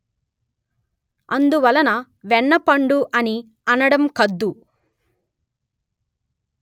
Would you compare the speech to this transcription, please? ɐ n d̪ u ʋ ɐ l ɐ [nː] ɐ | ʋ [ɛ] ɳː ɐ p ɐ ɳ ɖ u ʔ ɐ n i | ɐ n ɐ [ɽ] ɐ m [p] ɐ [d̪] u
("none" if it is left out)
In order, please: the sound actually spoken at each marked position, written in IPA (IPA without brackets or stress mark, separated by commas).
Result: n, ɛ, ɽ, k, d̪ː